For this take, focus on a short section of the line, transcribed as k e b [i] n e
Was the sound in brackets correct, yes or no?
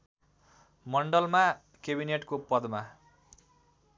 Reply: yes